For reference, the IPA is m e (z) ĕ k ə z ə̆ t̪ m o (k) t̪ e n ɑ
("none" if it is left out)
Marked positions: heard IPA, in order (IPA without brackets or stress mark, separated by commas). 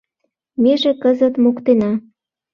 ʒ, k